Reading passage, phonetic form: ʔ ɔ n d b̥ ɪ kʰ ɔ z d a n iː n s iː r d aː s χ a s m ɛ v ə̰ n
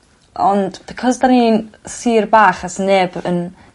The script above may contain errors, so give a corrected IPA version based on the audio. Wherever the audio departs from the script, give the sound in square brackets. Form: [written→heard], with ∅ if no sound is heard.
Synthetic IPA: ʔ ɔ n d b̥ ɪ kʰ ɔ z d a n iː n s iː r [d→b] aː [s→∅] χ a s [m→n] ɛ [v→b] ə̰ n

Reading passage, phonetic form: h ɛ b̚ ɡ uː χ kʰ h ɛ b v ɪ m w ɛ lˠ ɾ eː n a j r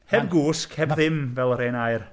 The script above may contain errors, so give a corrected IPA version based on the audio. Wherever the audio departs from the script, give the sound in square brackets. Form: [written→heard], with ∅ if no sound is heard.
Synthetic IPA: h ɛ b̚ ɡ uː [χ→s] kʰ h ɛ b [v→ð] ɪ m [w→v] ɛ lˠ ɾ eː n a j r

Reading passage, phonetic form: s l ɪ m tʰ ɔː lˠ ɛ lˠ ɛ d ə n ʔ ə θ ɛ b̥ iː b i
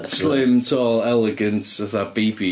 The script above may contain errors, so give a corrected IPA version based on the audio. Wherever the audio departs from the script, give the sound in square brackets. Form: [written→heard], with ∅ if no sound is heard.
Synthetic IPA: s l ɪ m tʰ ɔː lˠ ɛ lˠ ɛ [d→ɡ] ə n [ʔ→t] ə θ [ɛ→a] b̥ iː b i

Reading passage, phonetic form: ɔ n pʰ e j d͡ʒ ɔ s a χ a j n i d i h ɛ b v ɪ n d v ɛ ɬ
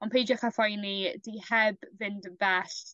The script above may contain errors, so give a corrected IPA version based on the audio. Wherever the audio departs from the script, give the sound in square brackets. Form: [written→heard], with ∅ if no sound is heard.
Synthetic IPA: ɔ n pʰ e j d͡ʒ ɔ [s→χ] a [χ→f] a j n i d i h ɛ b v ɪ n d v ɛ ɬ

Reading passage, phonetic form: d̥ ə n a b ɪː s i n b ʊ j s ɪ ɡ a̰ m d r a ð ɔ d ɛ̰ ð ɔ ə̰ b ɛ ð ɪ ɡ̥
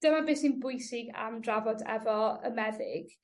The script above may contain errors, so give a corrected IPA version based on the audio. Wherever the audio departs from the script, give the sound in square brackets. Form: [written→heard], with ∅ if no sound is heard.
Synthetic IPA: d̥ ə [n→m] a b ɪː s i n b ʊ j s ɪ ɡ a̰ m d r a [ð→v] ɔ d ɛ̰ [ð→v] ɔ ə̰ [b→m] ɛ ð ɪ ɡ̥

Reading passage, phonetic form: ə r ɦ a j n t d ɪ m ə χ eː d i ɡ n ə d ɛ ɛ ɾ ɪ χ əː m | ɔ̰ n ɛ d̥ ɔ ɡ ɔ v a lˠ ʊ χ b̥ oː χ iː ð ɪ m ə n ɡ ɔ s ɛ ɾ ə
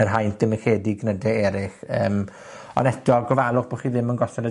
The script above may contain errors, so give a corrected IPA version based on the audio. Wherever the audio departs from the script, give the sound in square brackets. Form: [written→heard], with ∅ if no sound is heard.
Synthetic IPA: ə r ɦ a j n t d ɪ m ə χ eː d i ɡ n ə d ɛ ɛ ɾ ɪ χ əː m | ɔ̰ n ɛ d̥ ɔ ɡ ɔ v a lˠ ʊ χ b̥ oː χ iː ð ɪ m ə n ɡ ɔ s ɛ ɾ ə

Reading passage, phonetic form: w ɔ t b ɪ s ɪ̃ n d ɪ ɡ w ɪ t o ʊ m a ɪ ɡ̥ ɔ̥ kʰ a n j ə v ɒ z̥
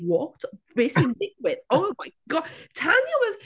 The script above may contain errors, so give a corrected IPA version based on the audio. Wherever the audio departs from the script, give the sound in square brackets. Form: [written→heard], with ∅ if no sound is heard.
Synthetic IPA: w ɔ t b ɪ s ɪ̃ n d ɪ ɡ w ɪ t o ʊ m a ɪ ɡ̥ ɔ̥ [kʰ→tʰ] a n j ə [v→w] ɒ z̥

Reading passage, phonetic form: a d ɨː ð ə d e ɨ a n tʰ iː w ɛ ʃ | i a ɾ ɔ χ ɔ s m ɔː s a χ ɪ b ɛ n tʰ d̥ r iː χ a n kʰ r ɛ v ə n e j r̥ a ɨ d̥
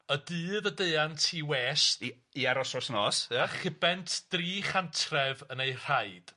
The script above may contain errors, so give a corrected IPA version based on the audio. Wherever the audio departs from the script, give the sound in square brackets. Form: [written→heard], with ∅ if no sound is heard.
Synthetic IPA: [a→ə] d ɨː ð ə d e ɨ a n tʰ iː w ɛ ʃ | i a ɾ ɔ [χ→s] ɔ s [m→n] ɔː s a χ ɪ b ɛ n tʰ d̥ r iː χ a n [kʰ→tʰ] r ɛ v ə n e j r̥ a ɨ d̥

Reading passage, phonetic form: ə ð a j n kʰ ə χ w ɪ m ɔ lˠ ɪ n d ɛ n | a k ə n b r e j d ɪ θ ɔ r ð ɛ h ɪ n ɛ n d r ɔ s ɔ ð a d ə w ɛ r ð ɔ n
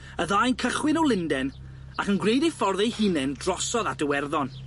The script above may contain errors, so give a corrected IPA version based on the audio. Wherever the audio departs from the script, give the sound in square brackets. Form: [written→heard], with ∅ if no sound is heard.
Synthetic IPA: ə ð a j n kʰ ə χ w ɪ [m→n] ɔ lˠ ɪ n d ɛ n | a k ə n [b→ɡ] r e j d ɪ [θ→f] ɔ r ð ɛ h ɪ n ɛ n d r ɔ s ɔ ð a d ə w ɛ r ð ɔ n

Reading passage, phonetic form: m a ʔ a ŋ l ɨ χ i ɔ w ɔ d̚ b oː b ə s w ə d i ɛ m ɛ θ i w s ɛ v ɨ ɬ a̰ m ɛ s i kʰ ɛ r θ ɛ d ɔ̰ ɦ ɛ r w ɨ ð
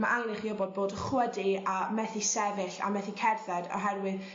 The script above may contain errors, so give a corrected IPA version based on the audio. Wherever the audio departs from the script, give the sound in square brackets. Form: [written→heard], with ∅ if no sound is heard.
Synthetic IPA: m a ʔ a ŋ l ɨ χ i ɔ [w→b] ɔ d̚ b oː [b→d] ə [s→χ] w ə d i [ɛ→a] m ɛ θ i [w→∅] s ɛ v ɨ ɬ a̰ m ɛ [s→θ] i kʰ ɛ r θ ɛ d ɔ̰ ɦ ɛ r w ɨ ð

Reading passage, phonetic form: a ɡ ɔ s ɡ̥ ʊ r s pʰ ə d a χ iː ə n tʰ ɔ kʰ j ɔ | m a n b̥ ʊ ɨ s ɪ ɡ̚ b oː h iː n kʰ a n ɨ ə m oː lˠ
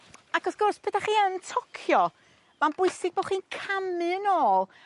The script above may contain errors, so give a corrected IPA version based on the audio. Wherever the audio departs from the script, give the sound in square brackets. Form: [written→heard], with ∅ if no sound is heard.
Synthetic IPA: a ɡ ɔ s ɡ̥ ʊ r s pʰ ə d a χ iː ə n tʰ ɔ kʰ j ɔ | m a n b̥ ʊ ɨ s ɪ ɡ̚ b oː [h→χ] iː n kʰ a [n→m] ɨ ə [m→n] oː lˠ

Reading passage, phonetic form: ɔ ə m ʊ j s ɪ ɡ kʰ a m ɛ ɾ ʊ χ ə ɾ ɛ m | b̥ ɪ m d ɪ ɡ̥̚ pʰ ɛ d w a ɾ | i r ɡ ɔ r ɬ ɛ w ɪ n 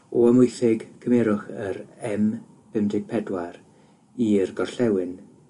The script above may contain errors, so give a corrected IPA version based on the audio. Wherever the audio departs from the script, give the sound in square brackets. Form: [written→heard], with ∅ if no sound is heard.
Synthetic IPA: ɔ ə m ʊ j [s→θ] ɪ ɡ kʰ [a→ə] m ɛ ɾ ʊ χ ə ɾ ɛ m | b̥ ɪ m d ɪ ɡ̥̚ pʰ ɛ d w a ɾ | i r ɡ ɔ r ɬ ɛ w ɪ n

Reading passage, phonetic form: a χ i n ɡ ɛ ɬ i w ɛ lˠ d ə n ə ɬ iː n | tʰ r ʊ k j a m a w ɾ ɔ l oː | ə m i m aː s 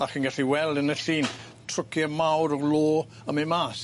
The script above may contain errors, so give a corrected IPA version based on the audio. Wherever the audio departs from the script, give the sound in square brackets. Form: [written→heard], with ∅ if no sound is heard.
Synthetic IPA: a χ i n ɡ [ɛ→a] ɬ i w ɛ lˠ d ə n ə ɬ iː n | tʰ r ʊ k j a m a w ɾ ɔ l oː | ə m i m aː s

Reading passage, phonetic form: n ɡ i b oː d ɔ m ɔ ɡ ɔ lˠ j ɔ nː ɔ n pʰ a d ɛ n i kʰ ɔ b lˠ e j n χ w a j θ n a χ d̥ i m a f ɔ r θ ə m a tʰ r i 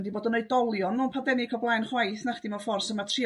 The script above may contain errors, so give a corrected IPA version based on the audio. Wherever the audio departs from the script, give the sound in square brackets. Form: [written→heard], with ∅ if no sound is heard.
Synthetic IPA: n [ɡ→d] i b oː d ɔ [m→n] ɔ [ɡ→d] ɔ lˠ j ɔ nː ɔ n pʰ a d ɛ n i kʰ ɔ b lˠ [e→a] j n χ w a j θ n a χ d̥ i m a f ɔ r [θ→s] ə m a tʰ r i

